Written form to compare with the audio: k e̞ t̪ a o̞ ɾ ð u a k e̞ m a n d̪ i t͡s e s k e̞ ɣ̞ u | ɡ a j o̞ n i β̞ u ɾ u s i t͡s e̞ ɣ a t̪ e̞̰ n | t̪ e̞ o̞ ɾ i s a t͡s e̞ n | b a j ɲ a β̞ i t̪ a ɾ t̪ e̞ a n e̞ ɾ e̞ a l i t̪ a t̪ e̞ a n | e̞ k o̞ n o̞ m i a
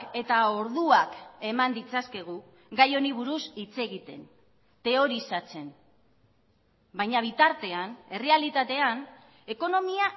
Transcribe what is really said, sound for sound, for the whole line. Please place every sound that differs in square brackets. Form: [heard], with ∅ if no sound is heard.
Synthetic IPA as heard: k e̞ t̪ a o̞ ɾ ð u a k e̞ m a n d̪ i t͡s [a] s k e̞ ɣ̞ u | ɡ a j o̞ n i β̞ u ɾ u s i t͡s e̞ ɣ [i] t̪ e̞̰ n | t̪ e̞ o̞ ɾ i s a t͡s e̞ n | b a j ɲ a β̞ i t̪ a ɾ t̪ e̞ a n e̞ [r] e̞ a l i t̪ a t̪ e̞ a n | e̞ k o̞ n o̞ m i a